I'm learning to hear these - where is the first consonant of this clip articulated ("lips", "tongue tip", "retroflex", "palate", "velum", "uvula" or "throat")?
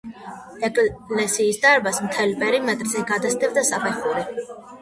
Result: velum